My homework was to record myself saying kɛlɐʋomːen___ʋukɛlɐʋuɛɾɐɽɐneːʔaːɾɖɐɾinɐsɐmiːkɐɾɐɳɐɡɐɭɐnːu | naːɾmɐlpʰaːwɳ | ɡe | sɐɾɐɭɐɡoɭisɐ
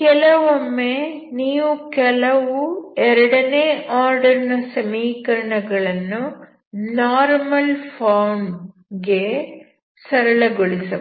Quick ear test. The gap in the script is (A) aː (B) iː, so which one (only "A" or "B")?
B